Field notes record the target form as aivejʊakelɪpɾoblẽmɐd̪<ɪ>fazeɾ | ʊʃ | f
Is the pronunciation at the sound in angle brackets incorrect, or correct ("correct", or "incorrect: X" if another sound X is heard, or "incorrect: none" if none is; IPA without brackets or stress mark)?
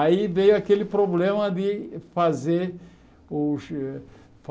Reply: correct